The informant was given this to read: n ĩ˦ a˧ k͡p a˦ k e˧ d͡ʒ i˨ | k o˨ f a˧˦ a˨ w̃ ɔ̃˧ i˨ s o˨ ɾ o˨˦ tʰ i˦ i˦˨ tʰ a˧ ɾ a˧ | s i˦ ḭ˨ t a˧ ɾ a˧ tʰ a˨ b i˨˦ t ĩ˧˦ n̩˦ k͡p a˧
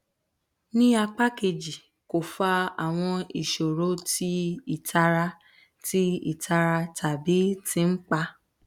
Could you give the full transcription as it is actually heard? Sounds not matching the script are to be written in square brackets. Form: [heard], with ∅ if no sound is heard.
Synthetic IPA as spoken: n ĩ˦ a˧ k͡p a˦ k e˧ d͡ʒ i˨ | k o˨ f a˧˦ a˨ w̃ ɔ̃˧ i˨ [ʃ] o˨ ɾ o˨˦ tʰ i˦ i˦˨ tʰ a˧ ɾ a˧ | [t] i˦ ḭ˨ t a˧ ɾ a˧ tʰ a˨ b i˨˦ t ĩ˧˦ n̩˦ k͡p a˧